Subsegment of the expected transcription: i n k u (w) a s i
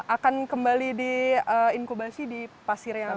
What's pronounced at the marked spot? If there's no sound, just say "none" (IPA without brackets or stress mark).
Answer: b